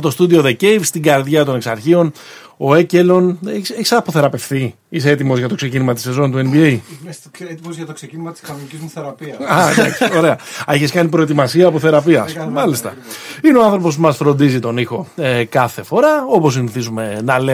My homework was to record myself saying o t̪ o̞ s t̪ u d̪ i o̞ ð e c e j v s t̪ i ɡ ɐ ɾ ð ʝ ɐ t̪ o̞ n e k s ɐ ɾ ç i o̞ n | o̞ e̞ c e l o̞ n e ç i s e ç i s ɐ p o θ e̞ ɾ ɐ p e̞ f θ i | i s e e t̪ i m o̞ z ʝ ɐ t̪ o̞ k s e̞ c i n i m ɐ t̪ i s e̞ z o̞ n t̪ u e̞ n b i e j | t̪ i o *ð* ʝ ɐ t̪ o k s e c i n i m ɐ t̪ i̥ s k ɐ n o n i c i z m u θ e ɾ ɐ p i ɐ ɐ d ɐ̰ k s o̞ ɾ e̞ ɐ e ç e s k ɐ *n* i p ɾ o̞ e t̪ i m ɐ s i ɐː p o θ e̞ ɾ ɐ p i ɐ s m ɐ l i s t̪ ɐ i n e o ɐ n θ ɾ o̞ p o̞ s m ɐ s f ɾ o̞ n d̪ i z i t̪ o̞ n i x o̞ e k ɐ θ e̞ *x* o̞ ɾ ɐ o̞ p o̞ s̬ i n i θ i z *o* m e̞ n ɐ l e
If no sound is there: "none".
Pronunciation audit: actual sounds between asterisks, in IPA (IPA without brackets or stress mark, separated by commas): z, n, f, u